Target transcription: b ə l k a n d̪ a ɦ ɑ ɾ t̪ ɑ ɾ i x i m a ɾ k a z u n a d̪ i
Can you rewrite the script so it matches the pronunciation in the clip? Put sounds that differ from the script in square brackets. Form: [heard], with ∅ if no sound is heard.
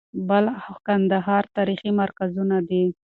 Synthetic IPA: b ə l k a n d̪ a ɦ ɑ ɾ t̪ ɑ ɾ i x i m a ɾ k a z u n a d̪ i